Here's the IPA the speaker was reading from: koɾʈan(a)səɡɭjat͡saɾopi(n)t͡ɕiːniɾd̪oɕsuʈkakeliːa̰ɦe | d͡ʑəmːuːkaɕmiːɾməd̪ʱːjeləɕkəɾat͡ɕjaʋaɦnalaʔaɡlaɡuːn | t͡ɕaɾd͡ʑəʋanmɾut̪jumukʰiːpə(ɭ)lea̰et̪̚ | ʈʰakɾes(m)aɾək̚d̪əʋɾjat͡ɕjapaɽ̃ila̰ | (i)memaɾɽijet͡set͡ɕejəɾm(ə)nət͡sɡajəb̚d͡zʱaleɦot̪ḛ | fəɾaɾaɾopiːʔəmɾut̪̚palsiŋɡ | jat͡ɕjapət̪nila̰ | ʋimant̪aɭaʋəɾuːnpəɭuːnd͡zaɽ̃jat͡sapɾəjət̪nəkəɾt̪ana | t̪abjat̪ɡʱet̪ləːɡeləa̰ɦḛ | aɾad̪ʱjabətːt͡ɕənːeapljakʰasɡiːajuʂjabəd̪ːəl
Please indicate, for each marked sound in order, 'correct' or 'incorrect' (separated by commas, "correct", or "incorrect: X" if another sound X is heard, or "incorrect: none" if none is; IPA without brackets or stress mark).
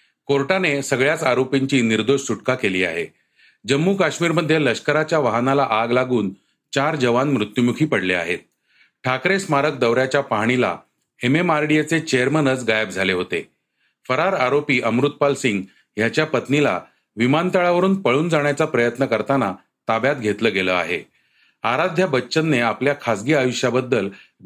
incorrect: e, incorrect: ɲ, incorrect: ɽ, correct, incorrect: e, correct